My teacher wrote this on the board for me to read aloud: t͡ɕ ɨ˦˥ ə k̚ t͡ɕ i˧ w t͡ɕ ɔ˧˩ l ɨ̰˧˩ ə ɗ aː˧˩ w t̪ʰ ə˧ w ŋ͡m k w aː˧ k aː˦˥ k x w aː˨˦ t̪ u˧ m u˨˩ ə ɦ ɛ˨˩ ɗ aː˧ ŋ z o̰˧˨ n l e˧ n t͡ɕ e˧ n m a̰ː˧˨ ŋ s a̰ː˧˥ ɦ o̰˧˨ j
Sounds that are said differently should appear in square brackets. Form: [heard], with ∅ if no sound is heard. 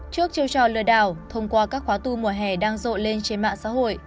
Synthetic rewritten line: t͡ɕ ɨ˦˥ ə k̚ t͡ɕ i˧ w t͡ɕ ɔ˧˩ l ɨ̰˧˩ ə ɗ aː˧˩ w t̪ʰ ə˧ w ŋ͡m k w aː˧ k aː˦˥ k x w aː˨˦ t̪ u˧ m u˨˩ ə ɦ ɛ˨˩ ɗ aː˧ ŋ z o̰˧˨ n l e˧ n t͡ɕ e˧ n m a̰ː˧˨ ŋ s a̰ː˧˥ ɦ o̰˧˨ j